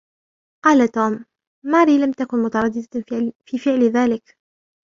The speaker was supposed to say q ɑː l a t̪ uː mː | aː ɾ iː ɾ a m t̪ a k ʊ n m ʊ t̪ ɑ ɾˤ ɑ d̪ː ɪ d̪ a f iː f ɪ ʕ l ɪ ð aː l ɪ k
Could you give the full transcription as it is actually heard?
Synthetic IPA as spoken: q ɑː l a t̪ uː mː | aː ɾ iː l a m t̪ a k ʊ n m ʊ t̪ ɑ ɾˤ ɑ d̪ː ɪ d̪ a f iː f ɪ ʕ l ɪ ð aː l ɪ k